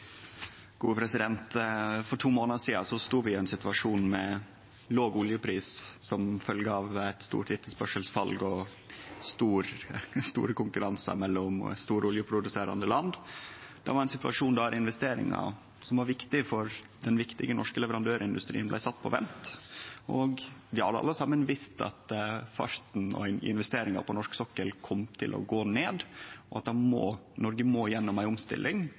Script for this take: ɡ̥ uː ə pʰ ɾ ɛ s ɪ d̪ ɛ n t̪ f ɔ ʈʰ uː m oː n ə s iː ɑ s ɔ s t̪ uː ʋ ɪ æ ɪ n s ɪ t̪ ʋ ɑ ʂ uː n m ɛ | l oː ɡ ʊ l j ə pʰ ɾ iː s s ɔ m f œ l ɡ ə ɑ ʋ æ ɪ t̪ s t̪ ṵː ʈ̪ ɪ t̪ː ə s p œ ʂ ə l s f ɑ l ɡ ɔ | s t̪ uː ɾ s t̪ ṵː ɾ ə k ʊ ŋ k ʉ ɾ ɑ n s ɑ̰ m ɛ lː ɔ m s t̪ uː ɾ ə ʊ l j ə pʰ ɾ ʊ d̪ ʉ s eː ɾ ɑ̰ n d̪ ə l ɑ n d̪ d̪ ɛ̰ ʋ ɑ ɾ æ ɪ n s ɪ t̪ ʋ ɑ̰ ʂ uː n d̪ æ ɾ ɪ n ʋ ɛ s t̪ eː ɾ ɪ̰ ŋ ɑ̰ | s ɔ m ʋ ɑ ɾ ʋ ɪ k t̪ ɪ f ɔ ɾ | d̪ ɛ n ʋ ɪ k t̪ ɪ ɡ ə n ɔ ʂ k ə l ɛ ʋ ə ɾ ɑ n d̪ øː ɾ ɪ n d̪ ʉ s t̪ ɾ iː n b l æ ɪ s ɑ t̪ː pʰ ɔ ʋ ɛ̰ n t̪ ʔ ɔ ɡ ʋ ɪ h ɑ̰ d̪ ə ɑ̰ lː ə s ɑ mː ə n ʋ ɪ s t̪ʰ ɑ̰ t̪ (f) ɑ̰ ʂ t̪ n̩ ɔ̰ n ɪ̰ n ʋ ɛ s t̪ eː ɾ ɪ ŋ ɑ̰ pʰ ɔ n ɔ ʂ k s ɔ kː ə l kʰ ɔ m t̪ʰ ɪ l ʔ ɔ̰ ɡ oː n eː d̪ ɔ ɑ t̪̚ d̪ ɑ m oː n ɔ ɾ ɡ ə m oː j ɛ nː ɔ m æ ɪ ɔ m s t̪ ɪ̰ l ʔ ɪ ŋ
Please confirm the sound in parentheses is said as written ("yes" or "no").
yes